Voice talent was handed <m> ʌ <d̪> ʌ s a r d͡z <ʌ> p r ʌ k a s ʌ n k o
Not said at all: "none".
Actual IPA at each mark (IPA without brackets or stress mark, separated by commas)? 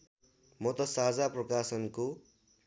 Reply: m, t̪, a